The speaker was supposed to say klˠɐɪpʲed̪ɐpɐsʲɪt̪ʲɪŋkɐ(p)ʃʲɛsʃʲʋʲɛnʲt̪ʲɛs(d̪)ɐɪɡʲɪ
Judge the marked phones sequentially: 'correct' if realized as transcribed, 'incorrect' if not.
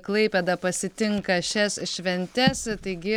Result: incorrect, incorrect

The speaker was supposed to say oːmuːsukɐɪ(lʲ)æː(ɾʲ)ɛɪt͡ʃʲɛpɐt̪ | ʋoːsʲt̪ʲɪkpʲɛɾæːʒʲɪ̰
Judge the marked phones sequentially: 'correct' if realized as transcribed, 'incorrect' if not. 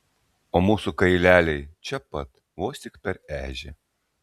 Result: correct, incorrect

